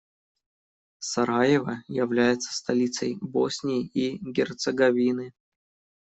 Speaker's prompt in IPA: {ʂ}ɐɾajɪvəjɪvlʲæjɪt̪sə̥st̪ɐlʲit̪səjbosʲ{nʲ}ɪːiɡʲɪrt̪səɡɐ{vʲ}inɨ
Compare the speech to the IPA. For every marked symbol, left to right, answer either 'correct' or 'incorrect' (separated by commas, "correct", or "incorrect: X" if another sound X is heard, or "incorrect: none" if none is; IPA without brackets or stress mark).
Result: incorrect: s, correct, correct